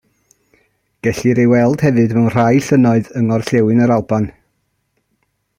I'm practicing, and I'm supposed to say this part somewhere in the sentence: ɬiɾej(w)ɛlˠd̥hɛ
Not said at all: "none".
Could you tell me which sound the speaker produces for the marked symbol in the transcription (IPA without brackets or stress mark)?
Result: w